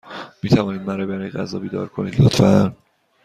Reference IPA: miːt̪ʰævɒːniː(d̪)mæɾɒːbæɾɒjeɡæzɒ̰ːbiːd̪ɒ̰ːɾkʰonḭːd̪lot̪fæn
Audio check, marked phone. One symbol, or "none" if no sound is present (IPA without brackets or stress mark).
d̪